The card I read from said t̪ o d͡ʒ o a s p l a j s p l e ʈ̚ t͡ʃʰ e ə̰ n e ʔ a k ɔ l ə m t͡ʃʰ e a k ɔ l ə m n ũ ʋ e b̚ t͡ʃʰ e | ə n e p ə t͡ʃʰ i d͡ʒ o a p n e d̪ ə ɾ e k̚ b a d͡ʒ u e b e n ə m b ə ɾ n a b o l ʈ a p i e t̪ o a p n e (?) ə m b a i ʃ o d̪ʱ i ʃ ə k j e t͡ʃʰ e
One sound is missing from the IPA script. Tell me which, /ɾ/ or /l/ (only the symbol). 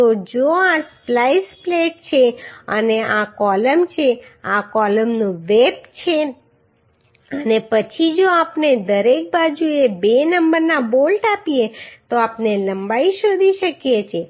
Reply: l